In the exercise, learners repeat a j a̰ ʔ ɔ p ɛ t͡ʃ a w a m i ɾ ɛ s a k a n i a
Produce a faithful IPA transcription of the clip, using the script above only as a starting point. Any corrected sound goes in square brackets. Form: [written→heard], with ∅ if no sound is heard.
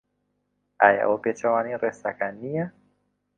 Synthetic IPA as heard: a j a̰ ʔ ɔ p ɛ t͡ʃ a w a [m→n] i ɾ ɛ s a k a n i a